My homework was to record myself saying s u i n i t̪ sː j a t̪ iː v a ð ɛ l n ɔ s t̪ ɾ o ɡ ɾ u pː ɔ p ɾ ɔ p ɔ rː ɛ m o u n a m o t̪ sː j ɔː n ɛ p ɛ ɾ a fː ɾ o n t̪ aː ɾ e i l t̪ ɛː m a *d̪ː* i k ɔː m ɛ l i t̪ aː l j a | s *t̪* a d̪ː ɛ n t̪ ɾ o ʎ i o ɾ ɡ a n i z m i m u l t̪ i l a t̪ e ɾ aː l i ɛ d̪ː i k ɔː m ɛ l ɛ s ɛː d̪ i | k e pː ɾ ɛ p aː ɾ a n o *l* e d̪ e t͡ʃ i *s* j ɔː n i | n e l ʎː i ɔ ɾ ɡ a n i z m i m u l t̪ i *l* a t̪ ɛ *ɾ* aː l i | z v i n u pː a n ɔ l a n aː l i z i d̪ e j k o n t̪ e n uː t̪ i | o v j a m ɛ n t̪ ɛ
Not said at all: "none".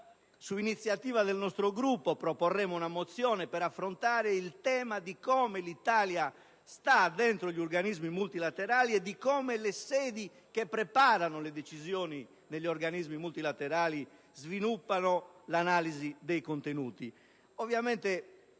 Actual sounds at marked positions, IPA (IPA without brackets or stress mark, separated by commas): d̪, t̪, l, z, l, ɾ